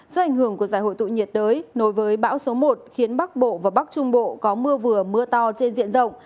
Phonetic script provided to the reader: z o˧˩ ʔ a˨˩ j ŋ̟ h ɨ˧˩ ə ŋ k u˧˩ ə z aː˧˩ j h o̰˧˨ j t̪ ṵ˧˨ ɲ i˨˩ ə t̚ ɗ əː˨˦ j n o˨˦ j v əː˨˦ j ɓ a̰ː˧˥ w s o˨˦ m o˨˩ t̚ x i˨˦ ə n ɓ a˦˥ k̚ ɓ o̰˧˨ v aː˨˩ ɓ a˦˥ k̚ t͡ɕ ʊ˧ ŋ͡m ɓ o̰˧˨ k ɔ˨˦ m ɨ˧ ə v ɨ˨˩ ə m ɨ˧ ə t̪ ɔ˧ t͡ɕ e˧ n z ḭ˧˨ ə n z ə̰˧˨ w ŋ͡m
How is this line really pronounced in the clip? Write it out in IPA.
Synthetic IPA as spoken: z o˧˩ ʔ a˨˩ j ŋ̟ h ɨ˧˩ ə ŋ k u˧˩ ə z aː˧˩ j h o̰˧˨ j t̪ ṵ˧˨ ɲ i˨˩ ə t̚ ɗ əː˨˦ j n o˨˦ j v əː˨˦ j ɓ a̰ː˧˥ w s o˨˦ m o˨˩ t̚ x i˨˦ ə n ɓ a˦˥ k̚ ɓ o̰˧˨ v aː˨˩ ɓ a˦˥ k̚ t͡ɕ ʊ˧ ŋ͡m ɓ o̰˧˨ k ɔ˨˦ m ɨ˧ ə v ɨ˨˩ ə m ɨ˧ ə t̪ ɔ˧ t͡ɕ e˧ n z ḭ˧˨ ə n z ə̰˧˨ w ŋ͡m

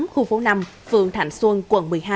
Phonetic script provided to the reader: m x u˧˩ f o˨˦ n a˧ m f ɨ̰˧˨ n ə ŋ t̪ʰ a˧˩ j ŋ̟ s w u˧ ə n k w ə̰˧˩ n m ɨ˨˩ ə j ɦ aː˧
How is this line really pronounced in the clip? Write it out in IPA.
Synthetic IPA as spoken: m x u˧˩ f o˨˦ n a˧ m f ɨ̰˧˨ ə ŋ t̪ʰ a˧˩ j ŋ̟ s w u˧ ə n k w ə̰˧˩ n m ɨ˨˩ ə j ɦ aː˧

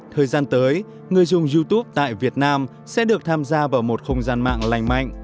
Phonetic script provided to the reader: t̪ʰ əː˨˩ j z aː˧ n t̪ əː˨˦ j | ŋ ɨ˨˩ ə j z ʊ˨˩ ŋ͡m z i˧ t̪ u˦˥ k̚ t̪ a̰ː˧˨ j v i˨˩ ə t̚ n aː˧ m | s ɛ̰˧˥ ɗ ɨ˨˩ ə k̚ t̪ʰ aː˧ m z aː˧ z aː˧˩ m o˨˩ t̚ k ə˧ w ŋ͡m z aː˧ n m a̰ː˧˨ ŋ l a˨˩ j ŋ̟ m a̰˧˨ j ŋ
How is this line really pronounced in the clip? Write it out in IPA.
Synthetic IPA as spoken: t̪ʰ əː˨˩ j z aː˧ n t̪ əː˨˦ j | ŋ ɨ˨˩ ə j z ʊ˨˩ ŋ͡m z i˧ t̪ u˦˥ p̚ t̪ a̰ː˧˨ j v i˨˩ ə t̚ n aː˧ m | s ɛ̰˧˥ ɗ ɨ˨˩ ə k̚ t̪ʰ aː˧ m z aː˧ v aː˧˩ m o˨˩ t̚ x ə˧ w ŋ͡m z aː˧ n m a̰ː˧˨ ŋ l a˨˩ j ŋ̟ m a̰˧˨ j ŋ

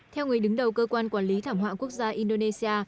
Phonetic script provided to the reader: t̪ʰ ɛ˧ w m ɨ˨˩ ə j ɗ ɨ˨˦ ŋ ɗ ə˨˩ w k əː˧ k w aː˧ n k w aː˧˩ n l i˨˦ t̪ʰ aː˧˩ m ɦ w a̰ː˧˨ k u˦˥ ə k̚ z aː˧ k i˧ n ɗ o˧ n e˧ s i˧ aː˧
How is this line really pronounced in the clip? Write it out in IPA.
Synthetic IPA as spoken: t̪ʰ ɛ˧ w ŋ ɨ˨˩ ə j ɗ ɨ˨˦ ŋ ɗ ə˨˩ w k əː˧ k w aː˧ n k w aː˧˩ n l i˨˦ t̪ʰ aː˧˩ m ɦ w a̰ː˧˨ k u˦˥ ə k̚ z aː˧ ʔ i˧ n ɗ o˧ n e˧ s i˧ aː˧

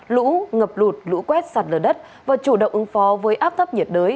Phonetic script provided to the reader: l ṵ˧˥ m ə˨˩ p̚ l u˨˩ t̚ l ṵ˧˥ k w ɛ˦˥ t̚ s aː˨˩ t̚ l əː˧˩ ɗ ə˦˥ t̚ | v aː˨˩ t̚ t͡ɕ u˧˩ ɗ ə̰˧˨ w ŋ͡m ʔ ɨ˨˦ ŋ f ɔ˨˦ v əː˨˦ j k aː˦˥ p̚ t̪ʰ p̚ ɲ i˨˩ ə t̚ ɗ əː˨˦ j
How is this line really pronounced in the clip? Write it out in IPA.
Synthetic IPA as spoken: l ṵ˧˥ ŋ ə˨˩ p̚ l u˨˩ t̚ l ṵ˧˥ k w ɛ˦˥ t̚ s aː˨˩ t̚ l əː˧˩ ɗ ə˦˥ t̚ | v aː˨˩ t͡ɕ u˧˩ ɗ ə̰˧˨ w ŋ͡m ʔ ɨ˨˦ ŋ f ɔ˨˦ v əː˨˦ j ʔ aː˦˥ p̚ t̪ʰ p̚ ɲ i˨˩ ə t̚ ɗ əː˨˦ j

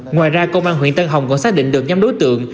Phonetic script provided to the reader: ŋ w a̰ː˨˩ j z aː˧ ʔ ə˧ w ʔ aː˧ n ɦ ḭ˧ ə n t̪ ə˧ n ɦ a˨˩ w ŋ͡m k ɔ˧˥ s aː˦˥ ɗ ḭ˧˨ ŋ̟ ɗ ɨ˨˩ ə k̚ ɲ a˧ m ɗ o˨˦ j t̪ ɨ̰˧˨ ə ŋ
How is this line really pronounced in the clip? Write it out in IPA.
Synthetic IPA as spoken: ŋ w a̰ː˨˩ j z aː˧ k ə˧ w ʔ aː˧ n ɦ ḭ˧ ə n t̪ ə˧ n ɦ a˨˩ w ŋ͡m k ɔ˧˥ s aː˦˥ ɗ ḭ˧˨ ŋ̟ ɗ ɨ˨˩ ə k̚ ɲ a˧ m ɗ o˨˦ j t̪ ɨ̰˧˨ ə ŋ

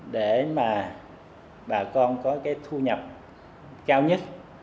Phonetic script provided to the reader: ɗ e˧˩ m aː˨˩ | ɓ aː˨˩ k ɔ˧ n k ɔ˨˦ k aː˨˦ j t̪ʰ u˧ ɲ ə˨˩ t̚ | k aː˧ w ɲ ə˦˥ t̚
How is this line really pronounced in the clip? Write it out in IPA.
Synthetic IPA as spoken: ɗ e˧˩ m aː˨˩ | ɓ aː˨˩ k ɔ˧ n k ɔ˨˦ k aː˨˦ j t̪ʰ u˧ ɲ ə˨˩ p̚ | k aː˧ w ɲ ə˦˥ t̚

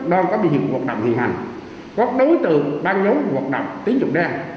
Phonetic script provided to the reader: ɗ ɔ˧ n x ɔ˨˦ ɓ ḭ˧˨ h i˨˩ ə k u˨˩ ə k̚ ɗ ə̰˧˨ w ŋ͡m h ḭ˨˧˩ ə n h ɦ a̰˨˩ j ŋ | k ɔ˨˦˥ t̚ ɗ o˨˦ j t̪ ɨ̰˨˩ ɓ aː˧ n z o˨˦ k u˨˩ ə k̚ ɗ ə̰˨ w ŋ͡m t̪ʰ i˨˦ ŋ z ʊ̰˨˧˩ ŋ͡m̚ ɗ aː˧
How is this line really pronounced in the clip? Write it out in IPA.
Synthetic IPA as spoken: ɗ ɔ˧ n k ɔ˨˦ ɓ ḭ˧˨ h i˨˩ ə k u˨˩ ə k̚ ɗ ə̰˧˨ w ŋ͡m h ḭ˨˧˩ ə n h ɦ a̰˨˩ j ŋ | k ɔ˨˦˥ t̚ ɗ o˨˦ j t̪ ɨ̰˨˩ ɓ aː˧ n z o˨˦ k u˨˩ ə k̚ ɗ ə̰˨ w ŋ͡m t̪ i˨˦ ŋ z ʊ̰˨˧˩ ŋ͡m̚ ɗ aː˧

